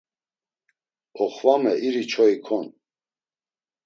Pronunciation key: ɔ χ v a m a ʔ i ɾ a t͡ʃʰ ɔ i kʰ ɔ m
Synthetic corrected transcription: ɔ χ v a m ɛ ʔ i ɾ i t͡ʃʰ ɔ i kʰ ɔ n